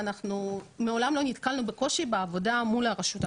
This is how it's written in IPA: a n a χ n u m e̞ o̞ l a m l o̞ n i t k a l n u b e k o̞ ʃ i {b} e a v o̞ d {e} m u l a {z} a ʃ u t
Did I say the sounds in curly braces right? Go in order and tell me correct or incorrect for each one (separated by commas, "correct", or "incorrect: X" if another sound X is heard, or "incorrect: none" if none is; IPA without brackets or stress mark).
correct, incorrect: a, incorrect: ʁ